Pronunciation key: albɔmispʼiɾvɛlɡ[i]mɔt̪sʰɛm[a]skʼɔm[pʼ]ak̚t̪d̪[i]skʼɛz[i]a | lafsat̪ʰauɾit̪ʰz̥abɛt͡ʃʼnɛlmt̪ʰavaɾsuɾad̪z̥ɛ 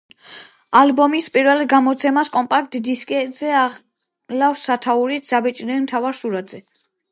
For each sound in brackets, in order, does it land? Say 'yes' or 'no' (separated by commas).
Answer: no, yes, yes, yes, no